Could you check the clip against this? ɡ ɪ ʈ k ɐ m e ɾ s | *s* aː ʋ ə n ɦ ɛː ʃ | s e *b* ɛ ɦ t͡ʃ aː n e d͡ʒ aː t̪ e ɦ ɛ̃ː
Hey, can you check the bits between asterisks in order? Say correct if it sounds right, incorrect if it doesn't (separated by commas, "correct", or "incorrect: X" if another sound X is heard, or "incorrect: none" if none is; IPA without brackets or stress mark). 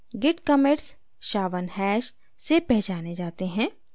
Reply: incorrect: ʃ, incorrect: p